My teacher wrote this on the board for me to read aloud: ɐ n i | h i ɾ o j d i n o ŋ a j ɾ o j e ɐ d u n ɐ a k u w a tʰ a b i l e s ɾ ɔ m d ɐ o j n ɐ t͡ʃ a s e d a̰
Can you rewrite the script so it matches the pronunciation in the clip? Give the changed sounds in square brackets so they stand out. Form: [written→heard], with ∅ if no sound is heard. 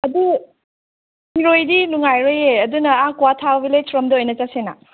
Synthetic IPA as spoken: ɐ [n→d] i | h i ɾ o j d i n [o→u] ŋ a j ɾ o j e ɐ d u n ɐ a k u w a tʰ a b i l e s ɾ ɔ m d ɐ o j n ɐ t͡ʃ a s e [d→n] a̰